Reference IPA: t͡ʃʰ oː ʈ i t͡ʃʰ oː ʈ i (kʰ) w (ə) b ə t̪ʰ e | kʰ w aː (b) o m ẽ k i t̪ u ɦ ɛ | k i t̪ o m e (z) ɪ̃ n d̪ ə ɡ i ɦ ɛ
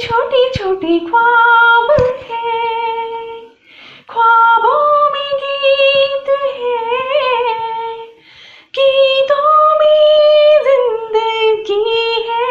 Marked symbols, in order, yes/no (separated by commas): yes, no, yes, yes